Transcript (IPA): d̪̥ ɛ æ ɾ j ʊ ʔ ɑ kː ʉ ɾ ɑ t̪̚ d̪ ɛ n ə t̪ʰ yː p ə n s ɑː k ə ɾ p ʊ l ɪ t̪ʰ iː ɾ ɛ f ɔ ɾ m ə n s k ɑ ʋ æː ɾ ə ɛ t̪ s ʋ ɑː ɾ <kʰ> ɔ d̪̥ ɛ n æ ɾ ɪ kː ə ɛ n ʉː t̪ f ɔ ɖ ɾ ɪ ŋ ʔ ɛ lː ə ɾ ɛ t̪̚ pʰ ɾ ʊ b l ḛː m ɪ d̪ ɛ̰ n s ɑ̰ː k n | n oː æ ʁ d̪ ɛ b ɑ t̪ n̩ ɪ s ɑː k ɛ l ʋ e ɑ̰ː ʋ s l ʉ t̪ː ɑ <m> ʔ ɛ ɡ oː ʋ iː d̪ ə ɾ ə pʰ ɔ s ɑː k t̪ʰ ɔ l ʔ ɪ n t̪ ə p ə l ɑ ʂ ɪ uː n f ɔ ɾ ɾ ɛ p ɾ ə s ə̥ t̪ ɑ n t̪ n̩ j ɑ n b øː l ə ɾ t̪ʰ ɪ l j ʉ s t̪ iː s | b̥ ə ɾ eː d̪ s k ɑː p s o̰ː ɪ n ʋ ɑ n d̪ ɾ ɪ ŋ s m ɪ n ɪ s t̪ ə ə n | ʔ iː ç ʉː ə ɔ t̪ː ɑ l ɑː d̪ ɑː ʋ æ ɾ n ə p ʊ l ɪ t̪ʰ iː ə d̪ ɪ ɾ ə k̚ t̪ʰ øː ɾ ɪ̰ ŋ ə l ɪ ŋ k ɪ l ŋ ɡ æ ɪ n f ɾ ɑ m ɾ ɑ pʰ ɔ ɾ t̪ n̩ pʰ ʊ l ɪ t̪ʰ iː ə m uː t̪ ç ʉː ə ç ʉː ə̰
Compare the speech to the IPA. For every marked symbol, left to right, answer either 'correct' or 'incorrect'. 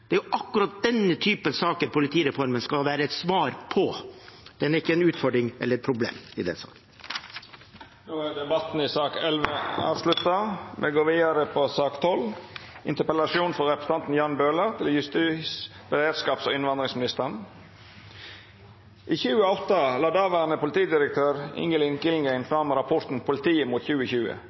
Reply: incorrect: pʰ, correct

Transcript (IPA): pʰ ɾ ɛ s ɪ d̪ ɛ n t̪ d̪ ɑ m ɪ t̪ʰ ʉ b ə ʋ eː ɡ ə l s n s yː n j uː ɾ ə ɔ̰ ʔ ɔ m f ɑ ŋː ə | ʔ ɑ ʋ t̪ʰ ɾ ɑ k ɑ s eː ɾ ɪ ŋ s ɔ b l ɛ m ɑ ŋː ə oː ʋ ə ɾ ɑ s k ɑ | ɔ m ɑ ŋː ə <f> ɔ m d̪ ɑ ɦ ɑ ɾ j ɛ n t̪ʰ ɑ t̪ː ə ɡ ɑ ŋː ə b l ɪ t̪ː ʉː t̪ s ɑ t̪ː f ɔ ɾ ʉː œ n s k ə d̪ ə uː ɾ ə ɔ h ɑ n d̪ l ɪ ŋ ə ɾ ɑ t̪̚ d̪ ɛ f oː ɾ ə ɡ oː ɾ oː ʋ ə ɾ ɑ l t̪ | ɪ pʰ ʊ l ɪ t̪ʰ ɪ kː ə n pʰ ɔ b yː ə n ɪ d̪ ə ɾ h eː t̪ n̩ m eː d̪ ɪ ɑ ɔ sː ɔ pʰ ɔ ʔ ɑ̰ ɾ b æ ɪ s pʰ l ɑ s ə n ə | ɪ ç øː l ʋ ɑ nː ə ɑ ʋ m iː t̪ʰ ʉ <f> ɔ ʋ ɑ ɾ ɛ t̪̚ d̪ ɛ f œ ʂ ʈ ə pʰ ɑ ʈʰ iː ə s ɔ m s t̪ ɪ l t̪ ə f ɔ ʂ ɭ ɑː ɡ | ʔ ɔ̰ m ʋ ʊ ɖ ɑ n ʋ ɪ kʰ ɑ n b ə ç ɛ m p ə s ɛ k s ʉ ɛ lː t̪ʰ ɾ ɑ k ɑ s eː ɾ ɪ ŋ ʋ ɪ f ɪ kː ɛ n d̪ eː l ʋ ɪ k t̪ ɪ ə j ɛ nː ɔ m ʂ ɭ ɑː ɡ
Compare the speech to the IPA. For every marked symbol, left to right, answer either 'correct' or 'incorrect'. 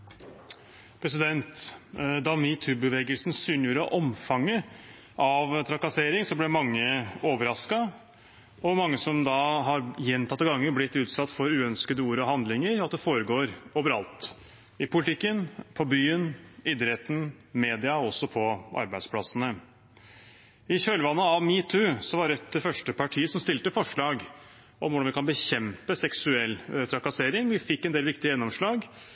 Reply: incorrect: s, incorrect: s

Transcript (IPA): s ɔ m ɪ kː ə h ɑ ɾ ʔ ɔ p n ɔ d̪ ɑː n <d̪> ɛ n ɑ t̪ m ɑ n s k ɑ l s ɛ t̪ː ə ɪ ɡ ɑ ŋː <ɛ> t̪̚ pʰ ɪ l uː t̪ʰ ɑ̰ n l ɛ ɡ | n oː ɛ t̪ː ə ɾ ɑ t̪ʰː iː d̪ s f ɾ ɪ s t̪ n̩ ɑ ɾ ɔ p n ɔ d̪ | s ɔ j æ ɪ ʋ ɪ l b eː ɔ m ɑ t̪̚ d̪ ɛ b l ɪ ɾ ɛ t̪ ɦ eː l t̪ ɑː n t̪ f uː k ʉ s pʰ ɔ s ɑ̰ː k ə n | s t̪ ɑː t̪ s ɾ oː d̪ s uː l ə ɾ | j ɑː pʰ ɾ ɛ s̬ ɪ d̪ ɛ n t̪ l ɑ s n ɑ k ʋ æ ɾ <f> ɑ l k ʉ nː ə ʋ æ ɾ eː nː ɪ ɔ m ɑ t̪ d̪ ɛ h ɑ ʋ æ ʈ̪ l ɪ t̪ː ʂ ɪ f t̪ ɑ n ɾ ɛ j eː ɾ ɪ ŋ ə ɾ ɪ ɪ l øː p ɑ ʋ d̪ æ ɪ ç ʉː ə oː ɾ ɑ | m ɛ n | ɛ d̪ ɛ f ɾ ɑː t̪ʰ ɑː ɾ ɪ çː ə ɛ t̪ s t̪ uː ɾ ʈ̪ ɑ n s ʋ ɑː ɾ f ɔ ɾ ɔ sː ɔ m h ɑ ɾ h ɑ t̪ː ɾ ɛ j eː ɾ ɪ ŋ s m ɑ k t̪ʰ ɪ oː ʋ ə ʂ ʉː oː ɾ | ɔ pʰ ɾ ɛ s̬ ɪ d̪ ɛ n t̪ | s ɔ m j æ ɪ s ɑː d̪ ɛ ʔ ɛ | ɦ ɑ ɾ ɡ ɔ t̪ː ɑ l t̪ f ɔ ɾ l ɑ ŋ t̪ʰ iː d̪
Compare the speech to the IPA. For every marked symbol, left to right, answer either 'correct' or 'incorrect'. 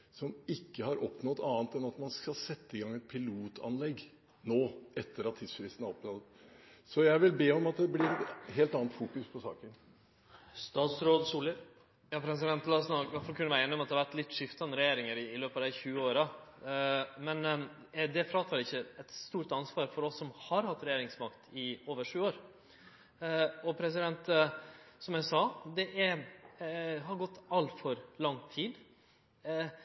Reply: incorrect: t̪, correct, correct

